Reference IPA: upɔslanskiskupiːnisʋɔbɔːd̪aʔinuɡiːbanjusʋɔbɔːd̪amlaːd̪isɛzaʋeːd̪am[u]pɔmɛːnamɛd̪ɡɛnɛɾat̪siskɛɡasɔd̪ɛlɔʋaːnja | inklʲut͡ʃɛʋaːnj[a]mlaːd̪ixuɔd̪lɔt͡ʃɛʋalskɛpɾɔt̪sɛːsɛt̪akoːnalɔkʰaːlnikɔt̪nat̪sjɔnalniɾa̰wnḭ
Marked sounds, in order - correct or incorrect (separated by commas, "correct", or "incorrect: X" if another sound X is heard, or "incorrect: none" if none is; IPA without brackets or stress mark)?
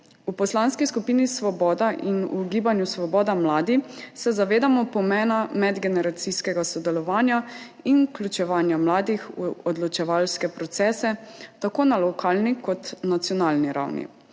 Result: incorrect: ɔ, correct